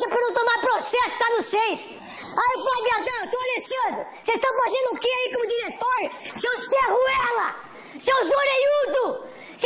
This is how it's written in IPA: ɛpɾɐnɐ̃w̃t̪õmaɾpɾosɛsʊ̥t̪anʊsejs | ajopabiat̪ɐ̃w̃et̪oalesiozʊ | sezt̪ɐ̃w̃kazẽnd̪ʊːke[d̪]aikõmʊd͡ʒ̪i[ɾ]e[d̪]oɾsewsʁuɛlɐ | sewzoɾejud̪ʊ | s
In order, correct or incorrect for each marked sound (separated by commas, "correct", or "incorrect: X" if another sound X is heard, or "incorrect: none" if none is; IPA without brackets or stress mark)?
incorrect: none, correct, incorrect: t̪